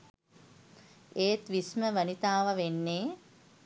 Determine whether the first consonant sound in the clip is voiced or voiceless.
voiceless